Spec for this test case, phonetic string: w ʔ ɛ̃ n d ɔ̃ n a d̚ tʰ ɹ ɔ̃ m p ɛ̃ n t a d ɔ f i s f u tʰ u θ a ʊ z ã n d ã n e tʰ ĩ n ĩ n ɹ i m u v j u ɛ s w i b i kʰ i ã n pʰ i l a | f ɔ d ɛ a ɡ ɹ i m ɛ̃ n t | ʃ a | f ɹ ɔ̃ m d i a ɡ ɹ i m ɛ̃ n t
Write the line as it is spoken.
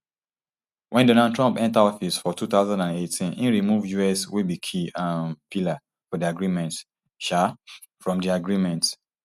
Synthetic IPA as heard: w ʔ ɛ̃ n d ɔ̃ n a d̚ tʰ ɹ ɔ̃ m p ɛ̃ n t a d ɔ f i s f ɔ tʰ u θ a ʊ z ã n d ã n e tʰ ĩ n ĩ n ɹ i m u v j u ɛ s w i b i kʰ i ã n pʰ i l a | f ɔ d i a ɡ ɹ i m ɛ̃ n t | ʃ a | f ɹ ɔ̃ m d i a ɡ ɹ i m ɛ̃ n t